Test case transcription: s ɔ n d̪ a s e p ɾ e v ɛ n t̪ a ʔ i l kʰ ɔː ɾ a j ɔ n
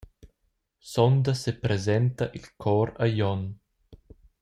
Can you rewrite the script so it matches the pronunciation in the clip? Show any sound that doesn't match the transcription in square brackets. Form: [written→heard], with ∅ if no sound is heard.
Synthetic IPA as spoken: s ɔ n d̪ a s e p ɾ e [v→z] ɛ n t̪ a ʔ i l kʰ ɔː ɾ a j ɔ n